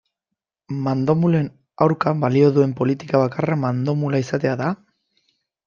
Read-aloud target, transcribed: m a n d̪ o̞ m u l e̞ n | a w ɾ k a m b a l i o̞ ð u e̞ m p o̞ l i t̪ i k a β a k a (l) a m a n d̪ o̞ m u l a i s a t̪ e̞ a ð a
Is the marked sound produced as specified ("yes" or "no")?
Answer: no